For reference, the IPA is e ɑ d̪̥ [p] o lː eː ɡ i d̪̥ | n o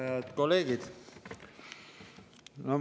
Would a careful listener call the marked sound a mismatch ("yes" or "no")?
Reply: yes